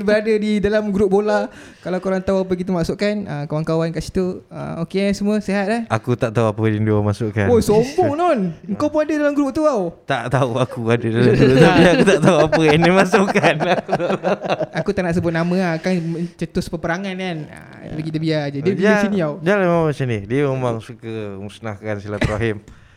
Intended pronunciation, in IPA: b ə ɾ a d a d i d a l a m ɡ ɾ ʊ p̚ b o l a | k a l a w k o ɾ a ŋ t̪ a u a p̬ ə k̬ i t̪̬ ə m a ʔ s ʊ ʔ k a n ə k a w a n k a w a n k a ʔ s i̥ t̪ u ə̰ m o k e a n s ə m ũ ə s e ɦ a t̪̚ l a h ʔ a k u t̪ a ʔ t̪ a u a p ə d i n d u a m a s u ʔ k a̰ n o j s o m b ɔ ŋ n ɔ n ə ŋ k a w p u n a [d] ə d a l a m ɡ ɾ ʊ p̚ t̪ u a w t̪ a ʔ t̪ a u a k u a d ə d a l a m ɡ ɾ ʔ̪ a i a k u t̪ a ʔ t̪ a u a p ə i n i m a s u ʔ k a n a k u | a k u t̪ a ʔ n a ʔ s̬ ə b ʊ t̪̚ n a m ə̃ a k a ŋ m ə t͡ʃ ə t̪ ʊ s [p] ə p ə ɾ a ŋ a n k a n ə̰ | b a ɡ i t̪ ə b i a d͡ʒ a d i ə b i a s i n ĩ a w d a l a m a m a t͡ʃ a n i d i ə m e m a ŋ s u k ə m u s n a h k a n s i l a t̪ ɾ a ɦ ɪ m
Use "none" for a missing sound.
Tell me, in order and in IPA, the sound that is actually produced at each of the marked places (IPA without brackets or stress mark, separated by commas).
d, p